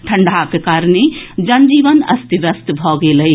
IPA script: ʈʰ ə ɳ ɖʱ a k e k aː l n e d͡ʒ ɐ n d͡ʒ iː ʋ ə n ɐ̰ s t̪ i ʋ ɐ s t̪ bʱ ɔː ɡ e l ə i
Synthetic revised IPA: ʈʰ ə ɳ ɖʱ a k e k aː ɾ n e d͡ʒ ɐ n d͡ʒ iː ʋ ə n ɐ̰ s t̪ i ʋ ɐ s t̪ bʱ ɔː ɡ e l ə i